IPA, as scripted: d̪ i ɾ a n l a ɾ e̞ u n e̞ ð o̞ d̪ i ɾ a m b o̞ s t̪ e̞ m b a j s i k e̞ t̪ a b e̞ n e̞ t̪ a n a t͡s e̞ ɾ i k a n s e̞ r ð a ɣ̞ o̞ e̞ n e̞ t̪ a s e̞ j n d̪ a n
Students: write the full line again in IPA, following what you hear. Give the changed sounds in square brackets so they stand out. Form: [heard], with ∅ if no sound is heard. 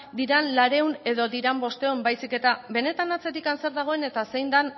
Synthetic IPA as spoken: d̪ i ɾ a n l a ɾ e̞ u n e̞ ð o̞ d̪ i ɾ a m b o̞ s t̪ e̞ m b a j s i k e̞ t̪ a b e̞ n e̞ t̪ a n a t͡s e̞ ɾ i k a n s e̞ [ɾ] ð a ɣ̞ o̞ e̞ n e̞ t̪ a s e̞ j n d̪ a n

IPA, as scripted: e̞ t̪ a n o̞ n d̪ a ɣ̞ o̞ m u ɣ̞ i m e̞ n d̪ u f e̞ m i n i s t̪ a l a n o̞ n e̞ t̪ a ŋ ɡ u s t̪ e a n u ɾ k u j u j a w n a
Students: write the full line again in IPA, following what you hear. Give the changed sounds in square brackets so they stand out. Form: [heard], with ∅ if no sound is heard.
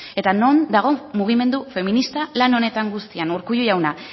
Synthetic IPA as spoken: e̞ t̪ a n o̞ n d̪ a ɣ̞ o̞ m u ɣ̞ i m e̞ n d̪ u f e̞ m i n i s t̪ a l a n o̞ n e̞ t̪ a ŋ ɡ u s t̪ [i] a n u ɾ k u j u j a w n a

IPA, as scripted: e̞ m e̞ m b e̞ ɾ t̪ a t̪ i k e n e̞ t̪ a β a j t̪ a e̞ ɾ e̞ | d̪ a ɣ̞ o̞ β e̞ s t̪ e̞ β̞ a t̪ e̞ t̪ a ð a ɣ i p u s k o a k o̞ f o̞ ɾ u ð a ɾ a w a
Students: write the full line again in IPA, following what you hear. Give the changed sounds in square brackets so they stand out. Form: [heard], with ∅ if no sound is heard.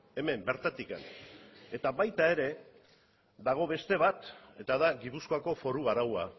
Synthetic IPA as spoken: e̞ m e̞ m b e̞ ɾ t̪ a t̪ i k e n e̞ t̪ a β a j t̪ a e̞ ɾ e̞ | d̪ a ɣ̞ o̞ β e̞ s t̪ e̞ β̞ a t̪ e̞ t̪ a ð a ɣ i p u s k o a k o̞ f o̞ ɾ u [ɣ] a ɾ a w a

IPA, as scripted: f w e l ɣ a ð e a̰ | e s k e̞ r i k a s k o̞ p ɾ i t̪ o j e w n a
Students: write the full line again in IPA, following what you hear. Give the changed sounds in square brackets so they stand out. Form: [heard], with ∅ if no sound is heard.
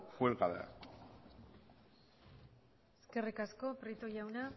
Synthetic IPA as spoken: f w e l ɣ a ð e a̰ | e s k e̞ r i k a s k o̞ p ɾ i t̪ o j [a] w n a

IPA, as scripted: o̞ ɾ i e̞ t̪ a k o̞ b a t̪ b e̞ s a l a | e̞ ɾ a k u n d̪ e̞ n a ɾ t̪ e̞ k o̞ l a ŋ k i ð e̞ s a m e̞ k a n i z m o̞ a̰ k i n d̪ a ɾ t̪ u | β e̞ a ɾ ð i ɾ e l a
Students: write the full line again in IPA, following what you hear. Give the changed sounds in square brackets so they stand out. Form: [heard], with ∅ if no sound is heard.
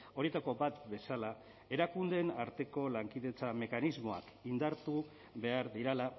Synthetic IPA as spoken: o̞ ɾ i e̞ t̪ a k o̞ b a t̪ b e̞ s a l a | e̞ ɾ a k u n d̪ e̞ n a ɾ t̪ e̞ k o̞ l a ŋ k i ð e̞ [t͡s] a m e̞ k a n i z m o̞ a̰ k i n d̪ a ɾ t̪ u | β e̞ a ɾ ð i ɾ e l a

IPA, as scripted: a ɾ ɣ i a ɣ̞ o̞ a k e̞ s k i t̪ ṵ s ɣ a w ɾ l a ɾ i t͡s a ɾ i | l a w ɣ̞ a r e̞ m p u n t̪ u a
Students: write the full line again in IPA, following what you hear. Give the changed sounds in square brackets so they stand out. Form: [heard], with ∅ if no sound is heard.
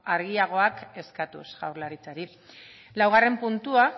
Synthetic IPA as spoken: a ɾ ɣ i a ɣ̞ o̞ a k e̞ s k [a] t̪ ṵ s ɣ a w ɾ l a ɾ i t͡s a ɾ i | l a w ɣ̞ a r e̞ m p u n t̪ u a

